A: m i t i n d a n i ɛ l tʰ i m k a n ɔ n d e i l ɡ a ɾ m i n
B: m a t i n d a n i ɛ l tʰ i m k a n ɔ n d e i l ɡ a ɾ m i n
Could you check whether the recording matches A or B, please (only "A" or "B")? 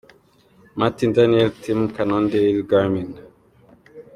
B